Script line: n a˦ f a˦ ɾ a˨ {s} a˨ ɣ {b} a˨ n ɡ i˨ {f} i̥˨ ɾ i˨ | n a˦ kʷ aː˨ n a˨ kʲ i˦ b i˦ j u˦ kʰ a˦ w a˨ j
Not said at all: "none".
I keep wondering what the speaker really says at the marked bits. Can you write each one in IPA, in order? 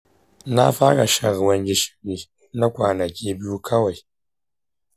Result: ʃ, w, ʃ

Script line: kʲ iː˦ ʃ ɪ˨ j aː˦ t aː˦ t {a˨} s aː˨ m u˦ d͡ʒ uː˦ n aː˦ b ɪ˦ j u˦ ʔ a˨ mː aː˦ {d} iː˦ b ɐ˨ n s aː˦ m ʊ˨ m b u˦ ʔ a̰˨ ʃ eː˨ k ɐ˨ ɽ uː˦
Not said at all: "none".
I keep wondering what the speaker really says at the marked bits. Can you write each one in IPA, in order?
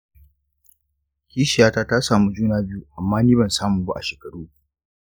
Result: a˦, n

